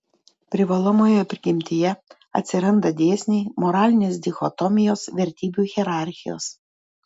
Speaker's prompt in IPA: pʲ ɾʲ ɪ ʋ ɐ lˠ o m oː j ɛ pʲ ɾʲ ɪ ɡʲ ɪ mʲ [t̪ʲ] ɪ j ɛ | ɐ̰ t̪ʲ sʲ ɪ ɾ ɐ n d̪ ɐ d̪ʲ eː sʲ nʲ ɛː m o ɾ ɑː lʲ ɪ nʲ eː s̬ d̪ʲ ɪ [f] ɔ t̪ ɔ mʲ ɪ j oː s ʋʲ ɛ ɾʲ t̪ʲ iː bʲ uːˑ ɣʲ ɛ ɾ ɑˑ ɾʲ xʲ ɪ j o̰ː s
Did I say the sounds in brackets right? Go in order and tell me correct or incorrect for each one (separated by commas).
correct, incorrect